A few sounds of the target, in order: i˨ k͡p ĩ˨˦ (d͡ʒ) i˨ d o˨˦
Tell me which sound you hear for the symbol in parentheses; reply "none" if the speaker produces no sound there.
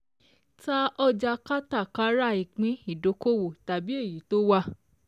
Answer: none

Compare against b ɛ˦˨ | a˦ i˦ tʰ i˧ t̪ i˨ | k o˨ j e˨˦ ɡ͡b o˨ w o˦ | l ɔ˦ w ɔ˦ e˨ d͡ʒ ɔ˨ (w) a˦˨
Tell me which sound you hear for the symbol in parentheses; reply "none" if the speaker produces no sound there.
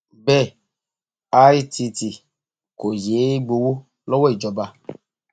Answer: b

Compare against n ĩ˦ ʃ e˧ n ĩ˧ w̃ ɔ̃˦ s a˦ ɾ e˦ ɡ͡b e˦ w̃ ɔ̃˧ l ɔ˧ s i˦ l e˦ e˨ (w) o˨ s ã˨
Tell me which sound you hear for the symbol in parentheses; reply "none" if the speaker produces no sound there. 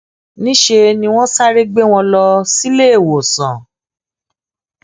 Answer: w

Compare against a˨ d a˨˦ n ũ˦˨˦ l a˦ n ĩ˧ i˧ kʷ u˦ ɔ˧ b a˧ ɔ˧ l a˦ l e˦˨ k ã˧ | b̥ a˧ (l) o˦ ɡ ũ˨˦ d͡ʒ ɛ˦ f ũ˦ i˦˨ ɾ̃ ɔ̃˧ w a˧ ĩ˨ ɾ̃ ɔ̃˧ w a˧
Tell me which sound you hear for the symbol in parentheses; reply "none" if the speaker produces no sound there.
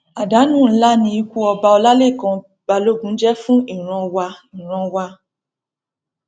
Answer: l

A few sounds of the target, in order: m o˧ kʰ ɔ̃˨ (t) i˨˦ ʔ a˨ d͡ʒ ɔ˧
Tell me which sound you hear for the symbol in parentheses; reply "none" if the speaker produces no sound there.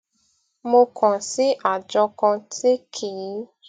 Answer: s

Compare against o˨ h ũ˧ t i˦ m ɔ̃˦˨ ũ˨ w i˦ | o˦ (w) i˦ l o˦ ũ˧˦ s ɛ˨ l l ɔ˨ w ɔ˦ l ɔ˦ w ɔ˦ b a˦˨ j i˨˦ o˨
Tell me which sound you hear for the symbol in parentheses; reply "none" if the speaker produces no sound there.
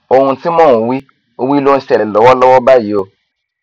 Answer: w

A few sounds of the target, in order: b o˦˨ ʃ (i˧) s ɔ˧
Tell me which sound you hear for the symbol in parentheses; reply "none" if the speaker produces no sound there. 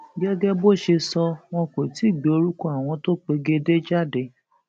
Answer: e˧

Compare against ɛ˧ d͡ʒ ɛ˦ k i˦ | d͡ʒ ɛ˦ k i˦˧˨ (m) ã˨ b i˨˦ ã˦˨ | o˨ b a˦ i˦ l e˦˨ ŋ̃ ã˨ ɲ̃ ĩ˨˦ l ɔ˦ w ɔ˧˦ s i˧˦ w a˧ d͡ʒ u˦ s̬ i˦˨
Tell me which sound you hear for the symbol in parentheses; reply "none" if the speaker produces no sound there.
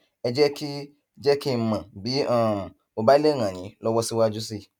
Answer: m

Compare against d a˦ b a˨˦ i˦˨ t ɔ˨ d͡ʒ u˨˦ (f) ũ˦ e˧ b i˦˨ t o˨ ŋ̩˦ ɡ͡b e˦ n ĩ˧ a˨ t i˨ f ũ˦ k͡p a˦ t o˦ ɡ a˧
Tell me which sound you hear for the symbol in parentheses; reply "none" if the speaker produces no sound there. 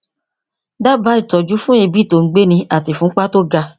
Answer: f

